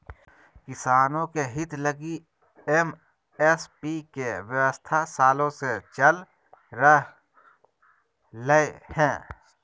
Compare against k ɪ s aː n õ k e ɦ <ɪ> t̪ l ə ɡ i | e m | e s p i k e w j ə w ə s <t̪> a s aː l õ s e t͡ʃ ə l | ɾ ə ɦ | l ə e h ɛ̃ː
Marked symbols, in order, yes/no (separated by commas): yes, no